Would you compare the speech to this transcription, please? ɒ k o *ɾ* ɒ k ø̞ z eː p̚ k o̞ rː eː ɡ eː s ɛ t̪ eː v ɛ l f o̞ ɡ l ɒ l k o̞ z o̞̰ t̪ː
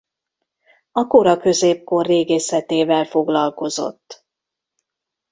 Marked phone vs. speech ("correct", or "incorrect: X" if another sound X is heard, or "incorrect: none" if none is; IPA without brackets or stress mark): correct